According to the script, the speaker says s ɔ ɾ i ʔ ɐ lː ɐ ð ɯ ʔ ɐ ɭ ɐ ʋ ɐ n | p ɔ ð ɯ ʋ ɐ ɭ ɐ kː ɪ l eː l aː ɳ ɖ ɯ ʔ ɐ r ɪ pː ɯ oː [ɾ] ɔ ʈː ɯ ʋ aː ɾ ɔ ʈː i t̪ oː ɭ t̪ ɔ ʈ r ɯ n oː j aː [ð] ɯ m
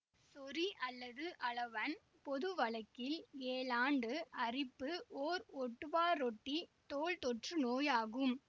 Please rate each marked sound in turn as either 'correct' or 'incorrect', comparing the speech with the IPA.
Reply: correct, incorrect: ɣ

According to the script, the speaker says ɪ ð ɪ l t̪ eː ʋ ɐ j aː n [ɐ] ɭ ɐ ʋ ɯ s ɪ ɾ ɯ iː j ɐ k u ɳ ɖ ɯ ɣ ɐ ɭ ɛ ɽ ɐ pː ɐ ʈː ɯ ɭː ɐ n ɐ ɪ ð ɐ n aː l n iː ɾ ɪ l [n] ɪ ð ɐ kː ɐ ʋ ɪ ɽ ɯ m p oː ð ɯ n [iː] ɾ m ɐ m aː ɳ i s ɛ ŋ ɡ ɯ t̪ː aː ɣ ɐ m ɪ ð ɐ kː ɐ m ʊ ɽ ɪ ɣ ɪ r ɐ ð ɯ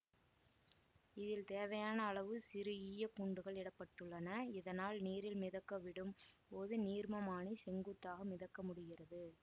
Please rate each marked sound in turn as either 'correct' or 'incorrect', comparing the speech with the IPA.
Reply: incorrect: ɐː, incorrect: m, correct

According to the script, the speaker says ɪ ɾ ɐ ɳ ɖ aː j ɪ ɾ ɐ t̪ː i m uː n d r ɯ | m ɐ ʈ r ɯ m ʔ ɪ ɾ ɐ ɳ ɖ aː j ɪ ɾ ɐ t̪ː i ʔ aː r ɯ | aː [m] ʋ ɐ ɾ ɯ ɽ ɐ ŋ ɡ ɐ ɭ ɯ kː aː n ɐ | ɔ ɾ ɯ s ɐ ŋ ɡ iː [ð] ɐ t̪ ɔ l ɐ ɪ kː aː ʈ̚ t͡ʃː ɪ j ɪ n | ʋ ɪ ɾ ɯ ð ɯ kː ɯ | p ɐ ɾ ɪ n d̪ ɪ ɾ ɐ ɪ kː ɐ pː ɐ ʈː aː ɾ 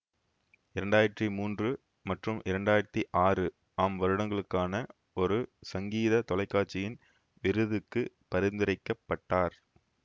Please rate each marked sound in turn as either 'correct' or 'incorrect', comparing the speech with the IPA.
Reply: correct, correct

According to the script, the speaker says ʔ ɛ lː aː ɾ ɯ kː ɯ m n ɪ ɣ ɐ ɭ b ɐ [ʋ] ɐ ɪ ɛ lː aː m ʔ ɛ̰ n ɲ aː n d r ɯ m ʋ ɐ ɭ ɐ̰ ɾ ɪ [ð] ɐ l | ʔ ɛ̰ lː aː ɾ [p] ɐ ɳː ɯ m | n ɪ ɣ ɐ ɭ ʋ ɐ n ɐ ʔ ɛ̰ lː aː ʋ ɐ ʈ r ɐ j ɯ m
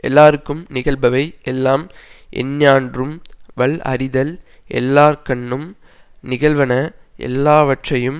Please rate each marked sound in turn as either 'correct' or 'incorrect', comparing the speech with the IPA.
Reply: correct, correct, incorrect: k

